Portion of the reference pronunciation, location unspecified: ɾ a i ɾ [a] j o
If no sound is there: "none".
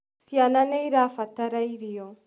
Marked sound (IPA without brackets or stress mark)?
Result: i